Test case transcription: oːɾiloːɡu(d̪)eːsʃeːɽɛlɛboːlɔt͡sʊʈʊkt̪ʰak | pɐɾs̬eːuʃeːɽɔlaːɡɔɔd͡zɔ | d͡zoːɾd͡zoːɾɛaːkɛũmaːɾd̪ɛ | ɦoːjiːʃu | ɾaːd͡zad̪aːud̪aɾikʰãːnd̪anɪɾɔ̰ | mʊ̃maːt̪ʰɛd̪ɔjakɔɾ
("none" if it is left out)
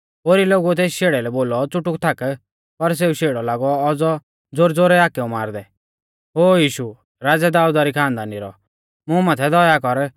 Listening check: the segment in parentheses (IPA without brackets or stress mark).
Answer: t̪